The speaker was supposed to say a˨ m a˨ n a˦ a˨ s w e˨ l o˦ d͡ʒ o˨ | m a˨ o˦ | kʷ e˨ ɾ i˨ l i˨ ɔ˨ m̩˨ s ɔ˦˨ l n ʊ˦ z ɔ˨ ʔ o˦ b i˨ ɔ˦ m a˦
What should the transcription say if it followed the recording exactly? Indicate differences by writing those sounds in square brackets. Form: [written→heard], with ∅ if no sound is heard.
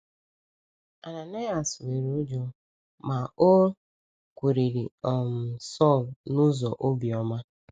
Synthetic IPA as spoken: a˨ [m→n] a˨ n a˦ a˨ s w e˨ [l→ɾ] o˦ d͡ʒ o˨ | m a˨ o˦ | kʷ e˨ ɾ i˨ [l→ɾ] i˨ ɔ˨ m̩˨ s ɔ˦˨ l n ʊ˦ z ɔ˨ ʔ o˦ b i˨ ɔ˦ m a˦